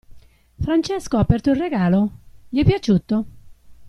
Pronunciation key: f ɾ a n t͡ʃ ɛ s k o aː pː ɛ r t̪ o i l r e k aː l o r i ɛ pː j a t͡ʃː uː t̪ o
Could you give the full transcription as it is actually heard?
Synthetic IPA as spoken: f ɾ a n t͡ʃ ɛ s k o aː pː ɛ r t̪ o i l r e ɡ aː l o ʎ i ɛ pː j a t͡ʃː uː t̪ o

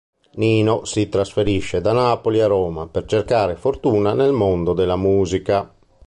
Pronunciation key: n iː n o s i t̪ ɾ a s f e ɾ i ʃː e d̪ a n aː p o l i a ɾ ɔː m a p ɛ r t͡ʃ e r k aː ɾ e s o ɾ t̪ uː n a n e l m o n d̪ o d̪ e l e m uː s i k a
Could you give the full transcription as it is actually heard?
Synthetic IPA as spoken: n iː n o s i t̪ ɾ a s f e ɾ i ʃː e d̪ a n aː p o l i a ɾ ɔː m a p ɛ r t͡ʃ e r k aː ɾ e f o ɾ t̪ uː n a n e l m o n d̪ o d̪ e l a m uː z i k a

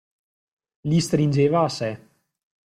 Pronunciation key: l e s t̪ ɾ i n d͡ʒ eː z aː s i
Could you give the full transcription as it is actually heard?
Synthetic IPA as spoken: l i s t̪ ɾ i n d͡ʒ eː v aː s ɛ

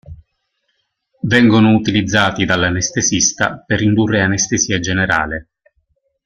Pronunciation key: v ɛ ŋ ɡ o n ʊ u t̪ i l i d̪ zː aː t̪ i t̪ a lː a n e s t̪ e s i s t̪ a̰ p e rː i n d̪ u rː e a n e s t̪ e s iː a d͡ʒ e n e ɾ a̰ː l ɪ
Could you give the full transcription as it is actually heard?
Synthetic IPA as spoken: v ɛ ŋ ɡ o n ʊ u t̪ i l i d̪ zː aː t̪ i d̪ a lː a n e s t̪ e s i s t̪ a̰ p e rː i n d̪ u rː e a n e s t̪ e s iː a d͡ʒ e n e ɾ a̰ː l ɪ

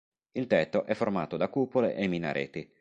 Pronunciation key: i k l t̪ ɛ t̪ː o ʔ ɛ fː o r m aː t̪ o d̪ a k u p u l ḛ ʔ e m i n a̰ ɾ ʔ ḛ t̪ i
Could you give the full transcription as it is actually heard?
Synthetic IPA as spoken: i l t̪ ɛ t̪ː o ʔ ɛ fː o r m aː t̪ o d̪ a k u p o l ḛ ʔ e m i n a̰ ɾ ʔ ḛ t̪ i

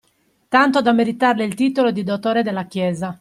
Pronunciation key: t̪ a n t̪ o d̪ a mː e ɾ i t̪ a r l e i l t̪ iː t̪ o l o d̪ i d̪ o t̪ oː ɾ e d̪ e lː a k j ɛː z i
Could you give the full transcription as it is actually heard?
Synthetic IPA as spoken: t̪ a n t̪ o d̪ a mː e ɾ i t̪ a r l e i l t̪ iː t̪ o l o d̪ i d̪ o t̪ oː ɾ e d̪ e lː a k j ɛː z a

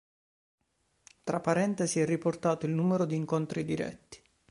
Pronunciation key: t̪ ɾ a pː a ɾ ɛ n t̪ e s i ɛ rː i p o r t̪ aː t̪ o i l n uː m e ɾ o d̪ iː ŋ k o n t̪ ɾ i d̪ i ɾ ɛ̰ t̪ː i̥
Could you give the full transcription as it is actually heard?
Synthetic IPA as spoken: t̪ ɾ a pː a ɾ ɛ n t̪ e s i ɛ rː i p o r t̪ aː t̪ o i l n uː m e ɾ o d̪ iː ŋ k o n t̪ ɾ i d̪ i ɾ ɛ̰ t̪ː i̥

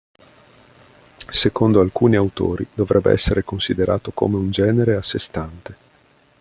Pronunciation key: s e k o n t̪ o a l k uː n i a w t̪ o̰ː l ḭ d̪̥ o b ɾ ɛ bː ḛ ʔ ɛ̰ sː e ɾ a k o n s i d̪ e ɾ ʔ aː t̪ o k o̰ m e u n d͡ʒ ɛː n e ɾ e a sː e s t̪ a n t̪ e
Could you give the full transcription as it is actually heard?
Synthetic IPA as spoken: s e k o n d̪ o a l k uː n i a w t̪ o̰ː ɾ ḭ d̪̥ o v ɾ ɛ bː ḛ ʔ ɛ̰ sː e ɾ e k o n s i d̪ e ɾ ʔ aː t̪ o k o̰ m e u n d͡ʒ ɛː n e ɾ e a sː e s t̪ a n t̪ e

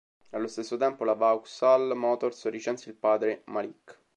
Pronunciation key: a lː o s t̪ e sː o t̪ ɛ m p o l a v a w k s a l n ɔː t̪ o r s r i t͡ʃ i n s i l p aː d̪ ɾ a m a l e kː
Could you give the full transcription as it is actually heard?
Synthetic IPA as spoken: a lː o s t̪ e sː o t̪ ɛ m p o l a v a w k s a l m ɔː t̪ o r s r i t͡ʃ ɛ n s i l p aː d̪ ɾ e m a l i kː

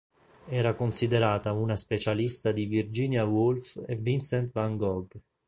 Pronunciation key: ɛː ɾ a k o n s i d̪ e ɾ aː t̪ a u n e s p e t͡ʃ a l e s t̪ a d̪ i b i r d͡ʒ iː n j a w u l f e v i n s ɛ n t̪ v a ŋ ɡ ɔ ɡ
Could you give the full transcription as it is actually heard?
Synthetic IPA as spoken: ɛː ɾ a k o n s i d̪ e ɾ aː t̪ a u n a s p e t͡ʃ a l i s t̪ a d̪ i v i r d͡ʒ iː n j a w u l f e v i n s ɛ n t̪ v a ŋ ɡ ɔ ɡ

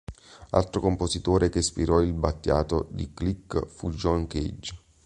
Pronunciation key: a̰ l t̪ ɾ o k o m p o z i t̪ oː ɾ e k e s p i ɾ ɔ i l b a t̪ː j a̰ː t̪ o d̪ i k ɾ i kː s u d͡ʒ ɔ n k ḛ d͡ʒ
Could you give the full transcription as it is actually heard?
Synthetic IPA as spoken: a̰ l t̪ ɾ o k o m p o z i t̪ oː ɾ e k e s p i ɾ ɔ i l b a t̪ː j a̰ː t̪ o d̪ i k l i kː f u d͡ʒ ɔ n k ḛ d͡ʒ

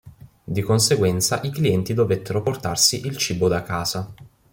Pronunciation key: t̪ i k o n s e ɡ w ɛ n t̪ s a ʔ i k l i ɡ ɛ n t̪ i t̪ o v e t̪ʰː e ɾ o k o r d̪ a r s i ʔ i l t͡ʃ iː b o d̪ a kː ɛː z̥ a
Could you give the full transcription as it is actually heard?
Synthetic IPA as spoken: d̪ i k o n s e ɡ w ɛ n t̪ s a ʔ i k l i ɛ n t̪ i d̪ o v e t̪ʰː e ɾ o p o r t̪ a r s i ʔ i l t͡ʃ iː b o d̪ a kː aː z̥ a

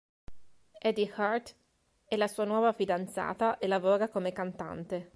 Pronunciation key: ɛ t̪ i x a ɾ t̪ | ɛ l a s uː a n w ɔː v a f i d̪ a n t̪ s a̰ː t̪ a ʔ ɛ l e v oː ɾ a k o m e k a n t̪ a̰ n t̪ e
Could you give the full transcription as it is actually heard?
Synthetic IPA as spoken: ɛ d̪ i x a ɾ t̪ | ɛ l a s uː a n w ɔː v a f i d̪ a n t̪ s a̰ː t̪ a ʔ e l a v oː ɾ a k o m e k a n t̪ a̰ n t̪ e

